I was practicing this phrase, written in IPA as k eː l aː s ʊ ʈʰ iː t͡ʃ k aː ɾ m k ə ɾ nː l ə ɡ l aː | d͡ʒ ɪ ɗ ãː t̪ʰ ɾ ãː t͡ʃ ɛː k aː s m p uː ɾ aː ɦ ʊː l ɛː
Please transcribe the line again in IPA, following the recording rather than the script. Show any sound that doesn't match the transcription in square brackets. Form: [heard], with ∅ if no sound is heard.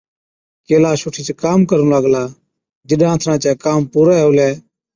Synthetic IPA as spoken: k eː l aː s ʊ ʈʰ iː t͡ʃ k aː [∅] m k ə ɾ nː l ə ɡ l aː | d͡ʒ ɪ ɗ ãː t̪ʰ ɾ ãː t͡ʃ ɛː k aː [∅] m p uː ɾ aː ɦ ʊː l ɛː